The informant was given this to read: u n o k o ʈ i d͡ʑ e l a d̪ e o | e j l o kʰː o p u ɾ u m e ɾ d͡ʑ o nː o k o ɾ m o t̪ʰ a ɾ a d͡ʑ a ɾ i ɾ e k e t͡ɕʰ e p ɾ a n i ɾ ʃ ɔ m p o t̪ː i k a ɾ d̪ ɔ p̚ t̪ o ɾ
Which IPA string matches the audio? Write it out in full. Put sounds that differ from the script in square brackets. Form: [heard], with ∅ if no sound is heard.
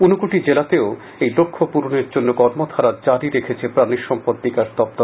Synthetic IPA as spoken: u n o k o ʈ i d͡ʑ e l a [t̪] e o | e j l o kʰː o p u ɾ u [n] e ɾ d͡ʑ o nː o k [ɔ] ɾ m o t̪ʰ a ɾ a d͡ʑ a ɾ i ɾ e [kʰ] e t͡ɕʰ e p ɾ a n i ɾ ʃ ɔ m p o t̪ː i k a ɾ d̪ ɔ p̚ t̪ o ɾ